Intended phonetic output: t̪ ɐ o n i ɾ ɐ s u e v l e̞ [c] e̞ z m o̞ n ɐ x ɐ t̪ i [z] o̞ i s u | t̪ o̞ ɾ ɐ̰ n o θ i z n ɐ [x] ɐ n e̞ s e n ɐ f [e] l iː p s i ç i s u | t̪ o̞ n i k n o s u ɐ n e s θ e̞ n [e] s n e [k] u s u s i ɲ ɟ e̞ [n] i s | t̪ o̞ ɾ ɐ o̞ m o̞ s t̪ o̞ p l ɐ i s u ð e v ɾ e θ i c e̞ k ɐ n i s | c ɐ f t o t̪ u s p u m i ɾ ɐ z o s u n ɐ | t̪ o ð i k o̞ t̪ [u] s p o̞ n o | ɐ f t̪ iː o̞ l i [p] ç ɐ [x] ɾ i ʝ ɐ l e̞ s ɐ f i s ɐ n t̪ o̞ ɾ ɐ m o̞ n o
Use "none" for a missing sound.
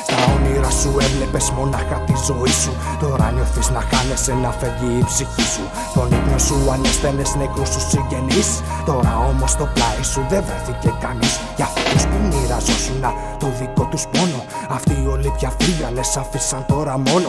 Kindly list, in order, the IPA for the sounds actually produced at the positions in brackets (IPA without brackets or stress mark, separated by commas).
p, z, x, e, e, k, n, u, p, f